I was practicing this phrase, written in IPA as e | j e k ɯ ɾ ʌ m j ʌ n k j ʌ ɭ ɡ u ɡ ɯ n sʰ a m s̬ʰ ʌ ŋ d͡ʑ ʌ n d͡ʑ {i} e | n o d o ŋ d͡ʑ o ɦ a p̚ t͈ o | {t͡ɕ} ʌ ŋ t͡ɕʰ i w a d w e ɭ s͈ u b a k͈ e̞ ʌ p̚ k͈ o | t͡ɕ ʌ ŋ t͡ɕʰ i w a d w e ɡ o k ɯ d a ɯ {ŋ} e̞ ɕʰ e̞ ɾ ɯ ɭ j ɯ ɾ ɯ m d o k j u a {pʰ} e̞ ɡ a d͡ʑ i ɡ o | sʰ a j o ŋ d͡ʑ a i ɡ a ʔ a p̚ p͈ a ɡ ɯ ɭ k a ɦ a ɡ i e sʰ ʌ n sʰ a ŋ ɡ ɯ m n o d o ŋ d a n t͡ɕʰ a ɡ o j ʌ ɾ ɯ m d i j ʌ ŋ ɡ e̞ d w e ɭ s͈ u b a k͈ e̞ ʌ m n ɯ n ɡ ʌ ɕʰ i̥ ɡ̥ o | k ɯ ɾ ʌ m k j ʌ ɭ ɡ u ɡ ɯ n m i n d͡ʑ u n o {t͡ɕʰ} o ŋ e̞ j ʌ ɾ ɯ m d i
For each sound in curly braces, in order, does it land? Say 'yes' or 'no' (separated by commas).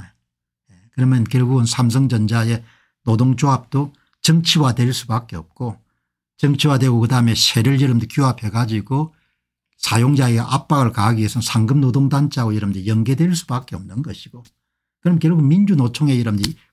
no, yes, no, yes, yes